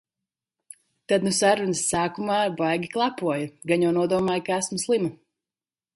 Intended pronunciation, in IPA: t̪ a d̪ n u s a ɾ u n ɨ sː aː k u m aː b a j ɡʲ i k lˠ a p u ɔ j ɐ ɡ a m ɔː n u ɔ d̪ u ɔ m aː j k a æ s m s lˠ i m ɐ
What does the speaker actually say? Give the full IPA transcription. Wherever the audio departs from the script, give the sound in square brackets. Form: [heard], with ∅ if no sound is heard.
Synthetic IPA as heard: t̪ a d̪ n u s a ɾ u n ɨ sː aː k u m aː b a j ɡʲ i k lˠ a p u ɔ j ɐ ɡ a [ɲ] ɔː n u ɔ d̪ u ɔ m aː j k a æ s m s lˠ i m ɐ